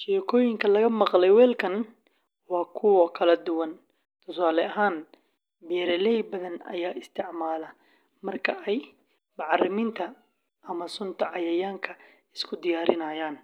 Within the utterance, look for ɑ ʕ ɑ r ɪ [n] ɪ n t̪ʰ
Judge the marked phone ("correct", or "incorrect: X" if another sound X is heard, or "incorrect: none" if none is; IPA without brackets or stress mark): incorrect: m